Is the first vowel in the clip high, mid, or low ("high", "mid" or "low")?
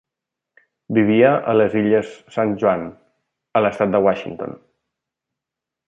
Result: high